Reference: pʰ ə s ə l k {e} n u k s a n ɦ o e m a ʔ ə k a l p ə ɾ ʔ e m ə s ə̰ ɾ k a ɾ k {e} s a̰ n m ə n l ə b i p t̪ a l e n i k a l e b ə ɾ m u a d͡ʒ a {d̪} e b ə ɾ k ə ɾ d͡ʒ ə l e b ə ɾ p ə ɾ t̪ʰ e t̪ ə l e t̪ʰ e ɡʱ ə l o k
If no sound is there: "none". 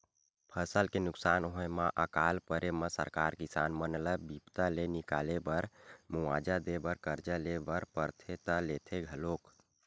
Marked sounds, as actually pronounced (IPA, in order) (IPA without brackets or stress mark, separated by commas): e, i, d̪